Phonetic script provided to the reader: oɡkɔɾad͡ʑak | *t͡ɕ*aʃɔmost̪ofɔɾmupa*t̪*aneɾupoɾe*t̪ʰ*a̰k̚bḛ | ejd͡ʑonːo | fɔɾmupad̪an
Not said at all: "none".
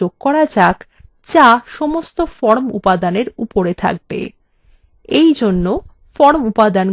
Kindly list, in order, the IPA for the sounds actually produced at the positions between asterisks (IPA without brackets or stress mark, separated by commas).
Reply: t͡ɕ, d̪, t̪ʰ